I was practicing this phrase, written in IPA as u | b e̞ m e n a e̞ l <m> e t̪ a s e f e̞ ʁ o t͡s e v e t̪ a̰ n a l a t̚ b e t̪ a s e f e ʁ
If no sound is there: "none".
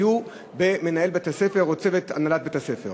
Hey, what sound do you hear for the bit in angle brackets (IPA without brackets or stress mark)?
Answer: b